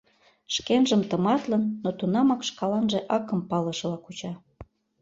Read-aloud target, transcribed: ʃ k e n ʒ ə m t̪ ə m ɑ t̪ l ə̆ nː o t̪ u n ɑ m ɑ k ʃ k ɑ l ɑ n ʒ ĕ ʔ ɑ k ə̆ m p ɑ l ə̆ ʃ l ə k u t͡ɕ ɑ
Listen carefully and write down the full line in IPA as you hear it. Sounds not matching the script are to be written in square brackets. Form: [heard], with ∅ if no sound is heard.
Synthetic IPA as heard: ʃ k e n ʒ ə m t̪ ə m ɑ t̪ l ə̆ nː o t̪ u n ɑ m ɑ k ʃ k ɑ l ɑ n ʒ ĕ ʔ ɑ k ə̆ m p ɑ l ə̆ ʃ l [ɑ] k u t͡ɕ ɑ